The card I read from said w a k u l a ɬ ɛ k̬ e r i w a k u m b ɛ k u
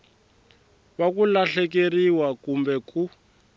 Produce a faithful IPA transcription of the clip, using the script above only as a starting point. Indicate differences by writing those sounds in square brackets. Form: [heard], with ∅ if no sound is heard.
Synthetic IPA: [β] a k u l a ɬ ɛ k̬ e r i w a k u m b ɛ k u